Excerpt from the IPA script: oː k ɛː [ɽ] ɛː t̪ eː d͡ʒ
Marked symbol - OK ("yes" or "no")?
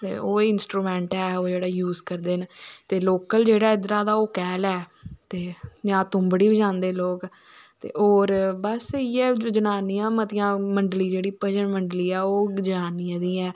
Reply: no